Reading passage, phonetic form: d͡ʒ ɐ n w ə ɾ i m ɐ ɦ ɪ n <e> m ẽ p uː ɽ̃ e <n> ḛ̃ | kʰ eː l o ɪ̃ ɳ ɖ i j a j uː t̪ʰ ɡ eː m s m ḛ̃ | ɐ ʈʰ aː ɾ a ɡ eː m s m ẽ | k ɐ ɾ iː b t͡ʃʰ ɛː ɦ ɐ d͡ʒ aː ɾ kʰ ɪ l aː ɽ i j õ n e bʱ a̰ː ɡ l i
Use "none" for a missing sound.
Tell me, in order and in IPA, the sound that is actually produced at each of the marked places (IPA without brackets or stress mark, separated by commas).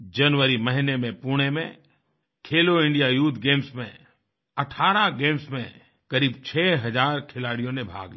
e, m